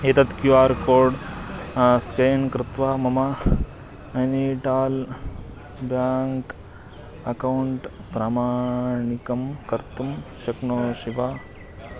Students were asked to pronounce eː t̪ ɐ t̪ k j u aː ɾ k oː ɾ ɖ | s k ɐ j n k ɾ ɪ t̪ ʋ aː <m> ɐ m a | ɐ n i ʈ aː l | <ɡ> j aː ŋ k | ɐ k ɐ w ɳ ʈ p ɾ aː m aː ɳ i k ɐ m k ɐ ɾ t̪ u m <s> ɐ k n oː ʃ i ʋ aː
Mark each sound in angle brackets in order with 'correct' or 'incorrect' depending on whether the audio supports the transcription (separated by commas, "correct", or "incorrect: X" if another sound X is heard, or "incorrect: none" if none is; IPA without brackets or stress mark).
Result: correct, incorrect: b, incorrect: ʃ